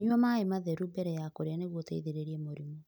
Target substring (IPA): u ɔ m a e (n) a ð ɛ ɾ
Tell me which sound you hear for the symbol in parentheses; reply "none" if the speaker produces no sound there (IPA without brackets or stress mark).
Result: m